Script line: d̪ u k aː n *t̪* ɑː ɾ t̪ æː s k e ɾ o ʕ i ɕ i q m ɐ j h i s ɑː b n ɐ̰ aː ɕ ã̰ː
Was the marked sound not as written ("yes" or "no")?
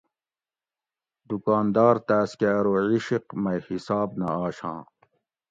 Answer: yes